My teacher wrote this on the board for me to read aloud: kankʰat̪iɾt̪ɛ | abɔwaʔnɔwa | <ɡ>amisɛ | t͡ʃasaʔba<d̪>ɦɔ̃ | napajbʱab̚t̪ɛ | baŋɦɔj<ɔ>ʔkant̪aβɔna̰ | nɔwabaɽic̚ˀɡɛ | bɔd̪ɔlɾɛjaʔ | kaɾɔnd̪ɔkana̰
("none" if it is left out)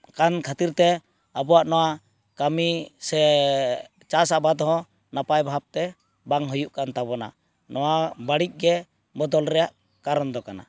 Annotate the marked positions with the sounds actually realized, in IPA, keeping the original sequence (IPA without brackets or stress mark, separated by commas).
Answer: k, d̪, u